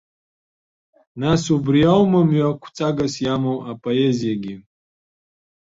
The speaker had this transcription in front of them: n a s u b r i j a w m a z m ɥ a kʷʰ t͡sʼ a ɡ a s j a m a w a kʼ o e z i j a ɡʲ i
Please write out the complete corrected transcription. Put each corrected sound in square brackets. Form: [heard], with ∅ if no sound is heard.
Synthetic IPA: n a s u b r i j a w m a [∅] m ɥ a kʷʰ t͡sʼ a ɡ a s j a m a w a [pʼ] o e z i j a ɡʲ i